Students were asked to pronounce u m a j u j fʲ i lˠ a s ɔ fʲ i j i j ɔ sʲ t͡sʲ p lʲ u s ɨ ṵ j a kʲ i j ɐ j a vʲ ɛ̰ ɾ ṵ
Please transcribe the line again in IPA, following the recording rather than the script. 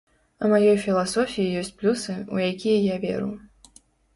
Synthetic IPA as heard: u m a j ɔ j fʲ i lˠ a s ɔ fʲ i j i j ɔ sʲ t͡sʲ p lʲ u s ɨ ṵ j a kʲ i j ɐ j a vʲ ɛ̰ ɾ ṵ